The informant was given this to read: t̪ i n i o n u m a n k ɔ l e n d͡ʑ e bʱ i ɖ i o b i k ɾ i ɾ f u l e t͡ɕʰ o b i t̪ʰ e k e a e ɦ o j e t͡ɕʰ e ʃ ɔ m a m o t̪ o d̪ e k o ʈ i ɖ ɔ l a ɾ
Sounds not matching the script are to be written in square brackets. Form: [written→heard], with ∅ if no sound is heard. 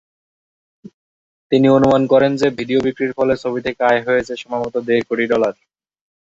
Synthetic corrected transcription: t̪ i n i o n u m a n k ɔ [l→ɾ] e n d͡ʑ e bʱ i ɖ i o b i k ɾ i ɾ f [u→ɔ] l e t͡ɕʰ o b i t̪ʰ e k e a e ɦ o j e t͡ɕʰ e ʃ ɔ m a m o t̪ o d̪ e k o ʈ i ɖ ɔ l a ɾ

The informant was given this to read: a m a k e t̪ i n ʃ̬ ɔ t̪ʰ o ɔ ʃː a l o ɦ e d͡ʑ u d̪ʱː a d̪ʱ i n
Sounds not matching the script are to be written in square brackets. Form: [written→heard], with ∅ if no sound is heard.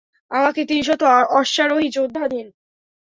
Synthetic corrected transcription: a m a k e t̪ i n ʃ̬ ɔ [t̪ʰ→t̪] o ɔ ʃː a [l→ɾ] o ɦ [e→i] d͡ʑ [u→o] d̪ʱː a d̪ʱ i n

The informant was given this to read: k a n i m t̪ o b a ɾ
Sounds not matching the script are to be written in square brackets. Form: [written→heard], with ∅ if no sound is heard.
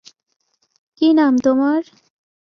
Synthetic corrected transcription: k [a→i] n [i→a] m t̪ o [b→m] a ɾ

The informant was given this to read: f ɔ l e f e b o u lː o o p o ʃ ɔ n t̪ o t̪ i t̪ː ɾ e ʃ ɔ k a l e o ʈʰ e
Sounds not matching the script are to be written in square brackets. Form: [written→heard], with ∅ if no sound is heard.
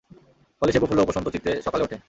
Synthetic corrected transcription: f ɔ l e [f→ʃ] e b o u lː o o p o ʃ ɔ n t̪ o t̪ i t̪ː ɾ e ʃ ɔ k a l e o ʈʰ e

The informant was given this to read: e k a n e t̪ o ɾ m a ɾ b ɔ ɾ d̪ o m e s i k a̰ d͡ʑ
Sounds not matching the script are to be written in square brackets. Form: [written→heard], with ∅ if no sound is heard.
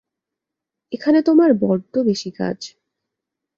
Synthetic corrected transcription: e [k→kʰ] a n e t̪ o [ɾ→∅] m a ɾ b ɔ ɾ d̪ o [m→b] e [s→ʃ] i k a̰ d͡ʑ

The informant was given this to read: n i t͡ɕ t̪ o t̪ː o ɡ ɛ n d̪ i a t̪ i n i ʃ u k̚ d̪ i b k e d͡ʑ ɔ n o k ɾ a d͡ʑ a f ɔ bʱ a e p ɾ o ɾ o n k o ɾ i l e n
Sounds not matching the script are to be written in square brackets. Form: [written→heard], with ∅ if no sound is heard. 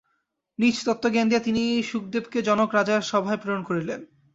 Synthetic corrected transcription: n i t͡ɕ t̪ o t̪ː o ɡ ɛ n d̪ i a t̪ i n i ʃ u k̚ d̪ [i→e] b k e d͡ʑ ɔ n o k ɾ a d͡ʑ a [f→ʃ] ɔ bʱ a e p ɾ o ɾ o n k o ɾ i l e n

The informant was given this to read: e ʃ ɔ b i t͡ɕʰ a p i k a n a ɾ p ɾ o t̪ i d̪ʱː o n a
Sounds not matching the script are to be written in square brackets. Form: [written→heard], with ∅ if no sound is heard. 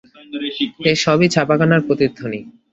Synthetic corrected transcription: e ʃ ɔ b i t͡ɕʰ a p [i→a] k a n a ɾ p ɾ o t̪ i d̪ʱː o n [a→i]

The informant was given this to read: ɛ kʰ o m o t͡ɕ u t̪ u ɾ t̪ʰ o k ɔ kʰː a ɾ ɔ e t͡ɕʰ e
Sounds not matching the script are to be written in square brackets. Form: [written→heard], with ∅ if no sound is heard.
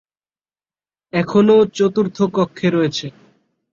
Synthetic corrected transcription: ɛ kʰ o [m→n] o t͡ɕ [u→o] t̪ u ɾ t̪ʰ o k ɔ kʰː [a→e] ɾ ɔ e t͡ɕʰ e

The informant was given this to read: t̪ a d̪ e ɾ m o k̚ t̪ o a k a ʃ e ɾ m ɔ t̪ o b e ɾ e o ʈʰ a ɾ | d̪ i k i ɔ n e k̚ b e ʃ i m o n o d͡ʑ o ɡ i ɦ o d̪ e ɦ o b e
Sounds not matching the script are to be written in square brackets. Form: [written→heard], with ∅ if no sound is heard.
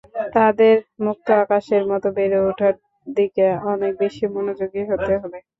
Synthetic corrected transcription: t̪ a d̪ e ɾ m [o→u] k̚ t̪ o a k a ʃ e ɾ m ɔ t̪ o b e ɾ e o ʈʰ a ɾ | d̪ i k [i→e] ɔ n e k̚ b e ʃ i m o n o d͡ʑ o ɡ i ɦ o [d̪→t̪] e ɦ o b e

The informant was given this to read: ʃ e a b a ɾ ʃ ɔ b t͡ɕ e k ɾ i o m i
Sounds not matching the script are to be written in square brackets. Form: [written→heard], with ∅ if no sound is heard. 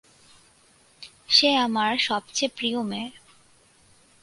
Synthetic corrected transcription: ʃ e a [b→m] a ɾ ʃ ɔ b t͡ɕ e [k→p] ɾ i o m [i→e]

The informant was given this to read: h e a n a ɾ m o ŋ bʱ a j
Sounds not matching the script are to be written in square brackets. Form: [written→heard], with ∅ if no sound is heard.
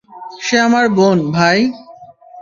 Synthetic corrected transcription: [h→ʃ] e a [n→m] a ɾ [m→b] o [ŋ→n] bʱ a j

